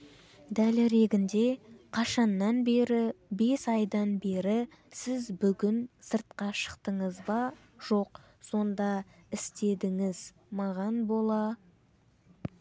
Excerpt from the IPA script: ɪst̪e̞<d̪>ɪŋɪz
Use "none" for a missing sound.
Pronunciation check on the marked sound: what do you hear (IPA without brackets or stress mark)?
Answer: d̪